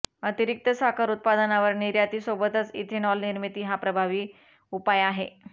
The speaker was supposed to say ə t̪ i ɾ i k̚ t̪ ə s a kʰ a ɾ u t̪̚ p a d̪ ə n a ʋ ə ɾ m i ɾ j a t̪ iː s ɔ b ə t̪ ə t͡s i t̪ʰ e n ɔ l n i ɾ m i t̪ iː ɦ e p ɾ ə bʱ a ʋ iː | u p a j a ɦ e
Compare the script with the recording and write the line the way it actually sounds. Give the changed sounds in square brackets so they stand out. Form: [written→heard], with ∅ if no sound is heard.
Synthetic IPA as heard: ə t̪ i ɾ i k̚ t̪ ə s a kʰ a ɾ u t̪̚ p a d̪ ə n a ʋ ə ɾ [m→n] i ɾ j a t̪ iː s [ɔ→o] b ə t̪ ə t͡s i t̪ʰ e n ɔ l n i ɾ m i t̪ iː ɦ [e→a] p ɾ ə bʱ a ʋ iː | u p a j a ɦ e